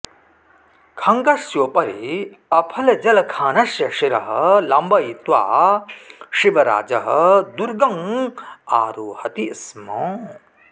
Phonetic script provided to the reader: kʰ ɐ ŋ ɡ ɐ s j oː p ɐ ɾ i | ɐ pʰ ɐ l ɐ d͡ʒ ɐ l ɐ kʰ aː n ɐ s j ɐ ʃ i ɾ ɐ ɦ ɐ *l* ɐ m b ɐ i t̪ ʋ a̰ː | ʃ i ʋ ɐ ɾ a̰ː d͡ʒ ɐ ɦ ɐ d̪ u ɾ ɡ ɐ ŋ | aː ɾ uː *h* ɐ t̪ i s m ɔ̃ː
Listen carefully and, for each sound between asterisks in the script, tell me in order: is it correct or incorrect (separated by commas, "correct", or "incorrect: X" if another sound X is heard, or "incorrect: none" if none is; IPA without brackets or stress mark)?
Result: correct, correct